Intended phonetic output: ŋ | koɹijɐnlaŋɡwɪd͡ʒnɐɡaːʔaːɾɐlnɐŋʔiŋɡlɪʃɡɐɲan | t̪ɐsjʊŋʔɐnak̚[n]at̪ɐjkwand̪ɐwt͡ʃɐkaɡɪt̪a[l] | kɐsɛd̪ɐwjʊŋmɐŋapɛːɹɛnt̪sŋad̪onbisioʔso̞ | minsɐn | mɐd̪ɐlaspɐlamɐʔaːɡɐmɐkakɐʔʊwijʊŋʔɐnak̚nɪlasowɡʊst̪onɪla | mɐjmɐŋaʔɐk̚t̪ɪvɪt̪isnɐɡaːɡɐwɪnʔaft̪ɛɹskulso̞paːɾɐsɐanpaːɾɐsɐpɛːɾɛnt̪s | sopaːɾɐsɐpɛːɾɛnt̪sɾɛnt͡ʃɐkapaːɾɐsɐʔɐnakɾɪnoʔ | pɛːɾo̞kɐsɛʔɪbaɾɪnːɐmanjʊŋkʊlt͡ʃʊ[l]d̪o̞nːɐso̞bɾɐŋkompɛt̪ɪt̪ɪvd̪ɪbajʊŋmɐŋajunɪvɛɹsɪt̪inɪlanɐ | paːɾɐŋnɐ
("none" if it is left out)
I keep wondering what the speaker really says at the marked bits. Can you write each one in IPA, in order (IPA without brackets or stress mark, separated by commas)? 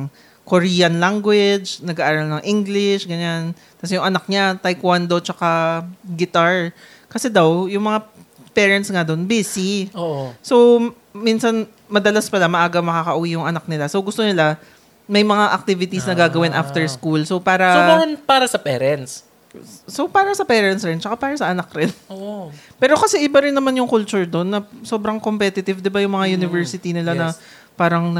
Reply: ɲ, ɹ, ɹ